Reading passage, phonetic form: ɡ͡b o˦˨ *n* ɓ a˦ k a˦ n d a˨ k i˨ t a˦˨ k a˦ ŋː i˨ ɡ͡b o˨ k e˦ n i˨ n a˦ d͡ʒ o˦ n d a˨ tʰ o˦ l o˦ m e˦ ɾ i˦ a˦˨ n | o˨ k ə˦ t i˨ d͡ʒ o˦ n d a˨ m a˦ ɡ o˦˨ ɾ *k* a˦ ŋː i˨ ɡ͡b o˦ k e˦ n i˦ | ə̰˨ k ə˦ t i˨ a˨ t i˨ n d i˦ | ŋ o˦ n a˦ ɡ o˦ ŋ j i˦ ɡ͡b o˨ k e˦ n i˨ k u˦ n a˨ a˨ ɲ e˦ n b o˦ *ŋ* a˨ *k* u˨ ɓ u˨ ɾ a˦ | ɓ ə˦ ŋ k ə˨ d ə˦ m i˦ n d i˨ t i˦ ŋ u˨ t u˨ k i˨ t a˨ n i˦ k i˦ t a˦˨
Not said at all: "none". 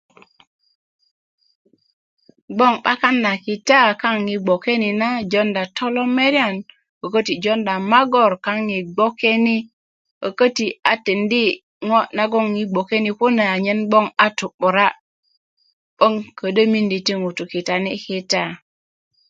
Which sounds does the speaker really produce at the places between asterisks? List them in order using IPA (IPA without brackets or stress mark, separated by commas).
ŋ, k, ŋ, t